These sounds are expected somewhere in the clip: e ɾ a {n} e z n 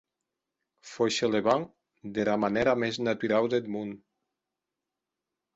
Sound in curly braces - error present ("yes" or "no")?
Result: yes